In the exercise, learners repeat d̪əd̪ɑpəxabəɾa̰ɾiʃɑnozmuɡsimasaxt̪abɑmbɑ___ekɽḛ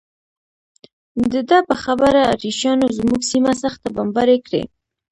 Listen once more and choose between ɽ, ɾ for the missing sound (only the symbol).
ɾ